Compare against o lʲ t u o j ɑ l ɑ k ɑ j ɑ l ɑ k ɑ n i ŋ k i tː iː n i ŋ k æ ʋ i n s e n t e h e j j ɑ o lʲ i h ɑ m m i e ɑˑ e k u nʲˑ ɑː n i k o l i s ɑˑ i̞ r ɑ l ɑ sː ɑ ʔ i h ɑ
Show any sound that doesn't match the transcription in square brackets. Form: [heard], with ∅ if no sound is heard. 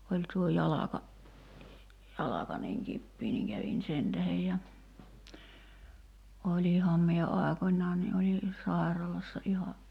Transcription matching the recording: o lʲ t u o j ɑ l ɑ k ɑ j ɑ l ɑ k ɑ n i ŋ k i [pː] iː n i ŋ k æ ʋ i n s e n t [æ] h e j j ɑ o lʲ i h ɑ m m i e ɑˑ e k [o] nʲˑ ɑː n i [ʔ] o l i s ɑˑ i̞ r ɑ l ɑ sː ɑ ʔ i h ɑ